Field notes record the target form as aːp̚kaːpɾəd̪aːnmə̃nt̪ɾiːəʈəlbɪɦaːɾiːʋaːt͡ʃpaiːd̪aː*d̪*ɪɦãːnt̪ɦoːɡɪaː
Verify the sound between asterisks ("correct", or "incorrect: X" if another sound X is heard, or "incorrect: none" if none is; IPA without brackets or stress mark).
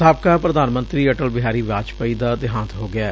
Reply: correct